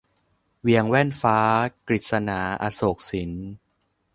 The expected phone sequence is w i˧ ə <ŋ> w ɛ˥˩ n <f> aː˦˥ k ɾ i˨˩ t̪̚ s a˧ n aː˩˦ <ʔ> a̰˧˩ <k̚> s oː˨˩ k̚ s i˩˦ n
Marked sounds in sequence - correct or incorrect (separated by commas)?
correct, correct, correct, incorrect